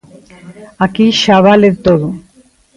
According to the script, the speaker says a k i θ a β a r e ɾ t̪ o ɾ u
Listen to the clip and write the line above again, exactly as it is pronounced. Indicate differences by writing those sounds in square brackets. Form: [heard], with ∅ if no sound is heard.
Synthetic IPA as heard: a k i [ʃ] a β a [l] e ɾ t̪ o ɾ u